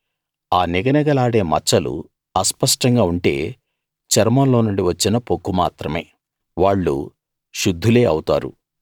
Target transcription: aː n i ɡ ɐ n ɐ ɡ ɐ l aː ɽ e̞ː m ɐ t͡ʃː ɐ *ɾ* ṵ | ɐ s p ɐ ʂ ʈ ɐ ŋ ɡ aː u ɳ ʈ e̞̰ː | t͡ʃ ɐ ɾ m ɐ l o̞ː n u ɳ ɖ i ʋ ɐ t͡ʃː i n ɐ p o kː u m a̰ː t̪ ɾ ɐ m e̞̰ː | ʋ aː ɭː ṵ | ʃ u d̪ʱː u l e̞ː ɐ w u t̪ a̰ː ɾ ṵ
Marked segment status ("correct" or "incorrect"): incorrect